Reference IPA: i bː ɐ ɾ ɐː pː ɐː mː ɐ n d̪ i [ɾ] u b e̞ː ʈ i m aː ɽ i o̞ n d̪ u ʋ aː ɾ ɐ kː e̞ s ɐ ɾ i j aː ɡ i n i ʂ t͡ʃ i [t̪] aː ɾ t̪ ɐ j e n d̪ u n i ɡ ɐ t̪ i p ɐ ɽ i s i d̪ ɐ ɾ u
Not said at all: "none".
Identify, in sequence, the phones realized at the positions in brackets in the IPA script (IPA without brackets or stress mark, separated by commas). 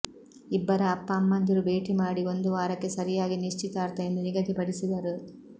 ɾ, t̪